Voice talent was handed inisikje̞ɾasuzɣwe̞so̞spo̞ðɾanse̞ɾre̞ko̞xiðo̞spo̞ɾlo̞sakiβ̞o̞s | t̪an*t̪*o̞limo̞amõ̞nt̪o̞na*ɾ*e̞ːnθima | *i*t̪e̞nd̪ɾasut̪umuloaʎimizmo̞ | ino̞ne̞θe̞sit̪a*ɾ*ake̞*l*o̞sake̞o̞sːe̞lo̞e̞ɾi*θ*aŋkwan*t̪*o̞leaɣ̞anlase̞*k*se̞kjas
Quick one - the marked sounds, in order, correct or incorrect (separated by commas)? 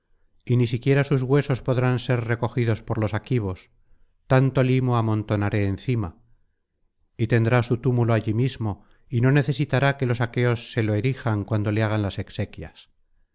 correct, correct, correct, correct, correct, incorrect, incorrect, correct